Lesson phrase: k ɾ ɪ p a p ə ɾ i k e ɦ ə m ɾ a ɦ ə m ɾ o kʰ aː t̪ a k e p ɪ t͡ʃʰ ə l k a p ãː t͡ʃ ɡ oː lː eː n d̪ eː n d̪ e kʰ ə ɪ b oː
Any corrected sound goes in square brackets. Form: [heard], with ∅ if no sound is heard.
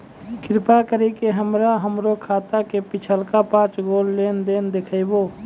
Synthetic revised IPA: k ɾ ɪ p a [k] ə ɾ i k e ɦ ə m ɾ a ɦ ə m ɾ o kʰ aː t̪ a k e p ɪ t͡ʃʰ ə l k a p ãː t͡ʃ ɡ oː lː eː n d̪ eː n d̪ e kʰ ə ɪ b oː